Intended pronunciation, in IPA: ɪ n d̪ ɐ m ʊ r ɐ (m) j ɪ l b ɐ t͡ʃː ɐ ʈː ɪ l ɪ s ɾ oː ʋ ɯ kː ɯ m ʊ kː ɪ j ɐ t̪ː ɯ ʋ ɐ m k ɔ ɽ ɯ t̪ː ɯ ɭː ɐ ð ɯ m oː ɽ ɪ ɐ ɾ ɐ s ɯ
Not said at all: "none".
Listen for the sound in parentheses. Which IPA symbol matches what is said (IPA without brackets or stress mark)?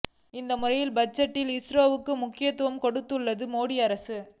none